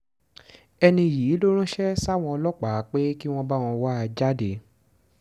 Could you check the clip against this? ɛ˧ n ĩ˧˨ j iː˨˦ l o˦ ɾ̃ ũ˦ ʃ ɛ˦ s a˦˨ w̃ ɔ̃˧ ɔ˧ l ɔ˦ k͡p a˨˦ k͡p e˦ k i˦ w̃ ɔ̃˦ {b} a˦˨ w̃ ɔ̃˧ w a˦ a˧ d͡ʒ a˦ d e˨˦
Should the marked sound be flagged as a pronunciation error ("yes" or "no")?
no